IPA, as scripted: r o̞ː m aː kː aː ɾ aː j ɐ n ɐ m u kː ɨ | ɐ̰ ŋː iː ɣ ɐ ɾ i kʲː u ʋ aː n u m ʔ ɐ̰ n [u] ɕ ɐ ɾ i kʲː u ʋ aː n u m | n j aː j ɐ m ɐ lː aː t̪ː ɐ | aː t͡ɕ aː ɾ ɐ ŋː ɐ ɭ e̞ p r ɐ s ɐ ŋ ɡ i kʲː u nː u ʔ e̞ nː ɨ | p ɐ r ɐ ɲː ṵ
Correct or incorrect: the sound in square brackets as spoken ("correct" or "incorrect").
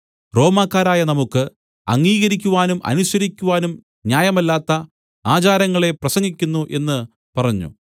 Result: correct